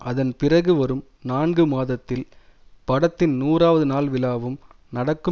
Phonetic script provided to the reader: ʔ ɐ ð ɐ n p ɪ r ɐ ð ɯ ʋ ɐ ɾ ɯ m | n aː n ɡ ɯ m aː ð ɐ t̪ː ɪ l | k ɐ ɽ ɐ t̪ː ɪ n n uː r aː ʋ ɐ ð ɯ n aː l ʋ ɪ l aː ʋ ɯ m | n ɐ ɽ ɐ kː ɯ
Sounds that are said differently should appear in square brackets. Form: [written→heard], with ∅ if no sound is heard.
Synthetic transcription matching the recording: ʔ ɐ ð ɐ n p ɪ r ɐ [ð→ɣ] ɯ ʋ ɐ ɾ ɯ m | n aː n ɡ ɯ m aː ð ɐ t̪ː ɪ l | [k→p] ɐ ɽ ɐ t̪ː ɪ n n uː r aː ʋ ɐ ð ɯ n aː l ʋ ɪ l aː ʋ ɯ m | n ɐ ɽ ɐ kː ɯ